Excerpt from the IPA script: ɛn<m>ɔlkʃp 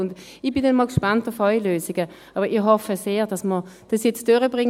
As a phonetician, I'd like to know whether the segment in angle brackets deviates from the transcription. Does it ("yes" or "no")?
no